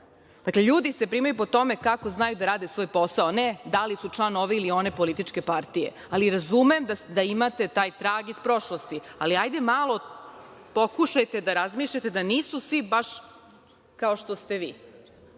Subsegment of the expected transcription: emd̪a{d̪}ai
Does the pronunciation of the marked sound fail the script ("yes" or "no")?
no